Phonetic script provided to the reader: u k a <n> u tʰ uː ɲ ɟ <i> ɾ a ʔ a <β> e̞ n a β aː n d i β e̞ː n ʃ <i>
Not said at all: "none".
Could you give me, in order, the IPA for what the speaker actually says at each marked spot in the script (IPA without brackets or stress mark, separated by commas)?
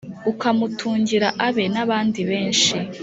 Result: m, i, β, i